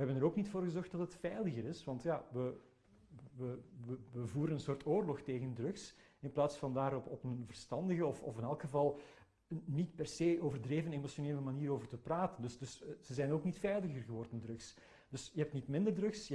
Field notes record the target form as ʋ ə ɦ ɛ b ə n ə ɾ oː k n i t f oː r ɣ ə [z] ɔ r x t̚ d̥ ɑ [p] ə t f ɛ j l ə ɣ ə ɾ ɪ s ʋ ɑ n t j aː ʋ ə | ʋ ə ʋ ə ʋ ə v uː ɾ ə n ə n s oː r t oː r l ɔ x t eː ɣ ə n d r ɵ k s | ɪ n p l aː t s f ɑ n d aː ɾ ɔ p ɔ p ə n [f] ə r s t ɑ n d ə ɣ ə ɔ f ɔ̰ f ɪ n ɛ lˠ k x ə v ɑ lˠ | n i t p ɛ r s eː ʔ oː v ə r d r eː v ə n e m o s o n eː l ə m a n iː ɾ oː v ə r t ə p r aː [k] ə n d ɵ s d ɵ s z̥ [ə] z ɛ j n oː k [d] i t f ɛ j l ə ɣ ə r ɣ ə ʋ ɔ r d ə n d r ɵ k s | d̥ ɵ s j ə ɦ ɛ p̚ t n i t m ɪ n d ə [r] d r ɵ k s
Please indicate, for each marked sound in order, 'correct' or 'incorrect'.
correct, incorrect: t, incorrect: v, incorrect: t, correct, incorrect: n, correct

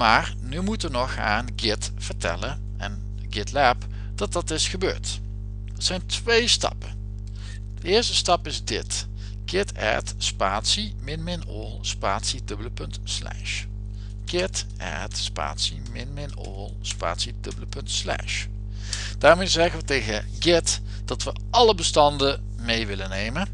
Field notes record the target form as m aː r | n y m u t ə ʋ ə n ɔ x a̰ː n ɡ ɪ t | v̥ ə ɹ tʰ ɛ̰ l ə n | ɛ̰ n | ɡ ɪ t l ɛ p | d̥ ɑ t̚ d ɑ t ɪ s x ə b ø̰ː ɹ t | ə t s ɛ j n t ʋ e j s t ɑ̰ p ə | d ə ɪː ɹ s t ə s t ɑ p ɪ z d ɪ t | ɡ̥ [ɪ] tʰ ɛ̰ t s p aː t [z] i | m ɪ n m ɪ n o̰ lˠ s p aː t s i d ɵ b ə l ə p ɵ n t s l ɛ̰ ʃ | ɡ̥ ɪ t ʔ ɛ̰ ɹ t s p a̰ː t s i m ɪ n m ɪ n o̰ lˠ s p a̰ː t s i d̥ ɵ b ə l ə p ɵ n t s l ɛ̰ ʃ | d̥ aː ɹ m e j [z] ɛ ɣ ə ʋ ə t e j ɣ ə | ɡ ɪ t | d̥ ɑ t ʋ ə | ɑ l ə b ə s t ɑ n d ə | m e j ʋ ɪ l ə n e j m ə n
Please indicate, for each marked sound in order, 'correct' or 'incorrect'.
correct, incorrect: s, correct

